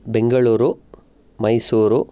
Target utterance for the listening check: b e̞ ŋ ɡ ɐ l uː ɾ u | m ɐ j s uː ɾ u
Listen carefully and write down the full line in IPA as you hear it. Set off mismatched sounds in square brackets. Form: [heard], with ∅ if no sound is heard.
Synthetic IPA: b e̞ ŋ ɡ ɐ [ɭ] uː ɾ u | m ɐ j s uː ɾ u